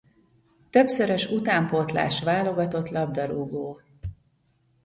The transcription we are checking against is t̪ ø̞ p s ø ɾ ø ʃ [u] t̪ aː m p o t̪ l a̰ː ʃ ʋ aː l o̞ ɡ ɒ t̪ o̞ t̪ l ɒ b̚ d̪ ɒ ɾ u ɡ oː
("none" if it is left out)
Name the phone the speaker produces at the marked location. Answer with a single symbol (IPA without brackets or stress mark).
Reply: u